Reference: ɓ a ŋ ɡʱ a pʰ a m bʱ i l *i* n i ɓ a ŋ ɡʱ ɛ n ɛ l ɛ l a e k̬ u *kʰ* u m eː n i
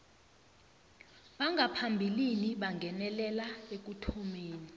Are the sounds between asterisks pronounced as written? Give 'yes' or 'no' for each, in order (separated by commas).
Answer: yes, no